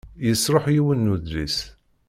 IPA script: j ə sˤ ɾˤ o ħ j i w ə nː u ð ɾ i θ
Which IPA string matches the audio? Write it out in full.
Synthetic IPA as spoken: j ə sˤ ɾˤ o ħ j i w ə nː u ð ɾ i s